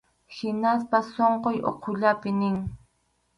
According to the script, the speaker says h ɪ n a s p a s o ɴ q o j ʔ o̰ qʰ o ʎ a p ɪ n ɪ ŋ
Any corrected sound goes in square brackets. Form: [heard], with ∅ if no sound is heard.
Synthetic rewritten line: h ɪ n a s p a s o ɴ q o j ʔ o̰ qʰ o ʎ a p ɪ n ɪ ŋ